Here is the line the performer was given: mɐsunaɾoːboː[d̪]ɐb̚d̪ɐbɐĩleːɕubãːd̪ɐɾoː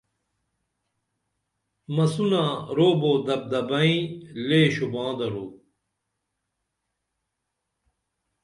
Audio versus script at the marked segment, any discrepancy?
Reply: no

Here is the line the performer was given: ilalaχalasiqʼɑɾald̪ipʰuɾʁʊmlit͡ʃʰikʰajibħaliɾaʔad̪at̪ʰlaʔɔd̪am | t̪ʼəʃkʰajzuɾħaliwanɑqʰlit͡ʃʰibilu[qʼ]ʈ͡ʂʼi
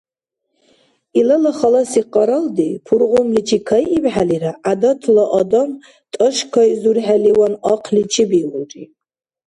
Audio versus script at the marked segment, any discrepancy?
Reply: yes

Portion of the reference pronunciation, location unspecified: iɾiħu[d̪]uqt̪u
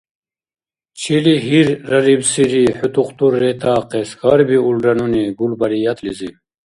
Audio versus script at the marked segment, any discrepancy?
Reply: yes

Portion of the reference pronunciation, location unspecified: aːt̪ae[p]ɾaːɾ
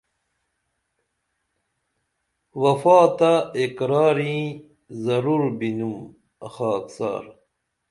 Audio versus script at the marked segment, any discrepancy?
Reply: yes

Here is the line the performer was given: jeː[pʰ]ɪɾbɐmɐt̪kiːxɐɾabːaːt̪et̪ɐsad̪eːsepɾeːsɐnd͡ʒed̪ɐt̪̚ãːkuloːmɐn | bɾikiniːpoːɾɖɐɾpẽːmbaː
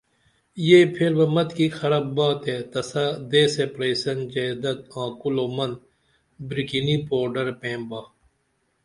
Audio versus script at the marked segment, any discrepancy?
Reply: no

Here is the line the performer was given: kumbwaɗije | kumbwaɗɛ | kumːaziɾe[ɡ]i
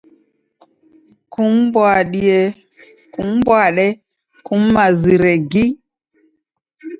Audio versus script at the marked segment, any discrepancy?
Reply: no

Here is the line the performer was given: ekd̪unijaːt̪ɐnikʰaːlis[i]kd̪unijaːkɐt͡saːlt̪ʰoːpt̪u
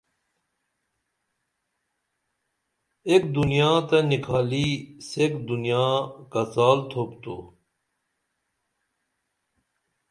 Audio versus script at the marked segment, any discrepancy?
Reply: yes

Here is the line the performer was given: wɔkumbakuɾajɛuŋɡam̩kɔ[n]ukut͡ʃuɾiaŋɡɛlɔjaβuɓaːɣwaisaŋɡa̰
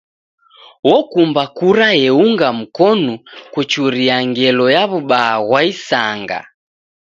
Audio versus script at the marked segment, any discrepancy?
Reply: no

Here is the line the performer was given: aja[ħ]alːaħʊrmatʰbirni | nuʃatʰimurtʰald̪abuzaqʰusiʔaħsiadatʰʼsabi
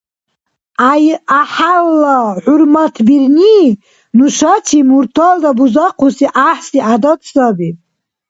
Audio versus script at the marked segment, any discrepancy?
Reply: no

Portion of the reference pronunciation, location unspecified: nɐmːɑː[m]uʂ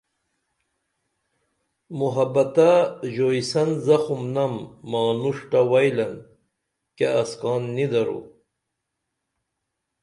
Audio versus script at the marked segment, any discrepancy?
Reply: yes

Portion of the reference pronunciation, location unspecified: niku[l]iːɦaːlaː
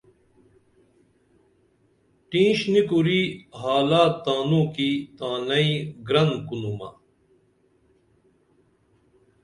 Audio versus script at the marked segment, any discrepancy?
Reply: yes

